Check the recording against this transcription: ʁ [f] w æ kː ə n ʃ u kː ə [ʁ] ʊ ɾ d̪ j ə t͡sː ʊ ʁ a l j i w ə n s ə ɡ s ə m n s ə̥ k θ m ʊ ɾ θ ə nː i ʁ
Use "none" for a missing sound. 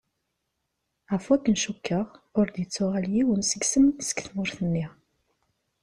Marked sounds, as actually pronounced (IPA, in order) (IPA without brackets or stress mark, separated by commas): f, ʁ